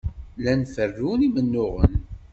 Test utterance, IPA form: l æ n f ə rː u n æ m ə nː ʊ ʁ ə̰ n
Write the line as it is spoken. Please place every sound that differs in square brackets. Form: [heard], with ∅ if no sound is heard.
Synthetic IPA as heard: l æ n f ə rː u n [i] m ə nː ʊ ʁ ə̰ n